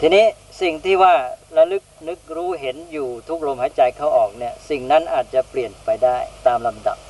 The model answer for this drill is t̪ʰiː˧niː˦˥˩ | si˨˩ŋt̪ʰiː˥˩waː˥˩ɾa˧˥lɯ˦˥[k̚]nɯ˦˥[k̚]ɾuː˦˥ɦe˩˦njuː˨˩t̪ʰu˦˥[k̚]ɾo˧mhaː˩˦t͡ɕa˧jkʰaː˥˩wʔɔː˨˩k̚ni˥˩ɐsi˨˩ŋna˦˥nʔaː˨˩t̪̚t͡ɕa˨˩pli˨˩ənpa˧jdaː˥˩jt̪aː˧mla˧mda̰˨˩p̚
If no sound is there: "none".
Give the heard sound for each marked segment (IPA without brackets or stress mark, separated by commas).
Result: k̚, k̚, k̚